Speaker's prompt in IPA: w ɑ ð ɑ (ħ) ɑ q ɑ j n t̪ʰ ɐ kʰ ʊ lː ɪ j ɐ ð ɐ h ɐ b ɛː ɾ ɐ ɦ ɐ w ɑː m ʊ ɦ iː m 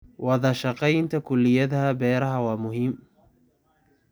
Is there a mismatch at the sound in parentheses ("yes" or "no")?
yes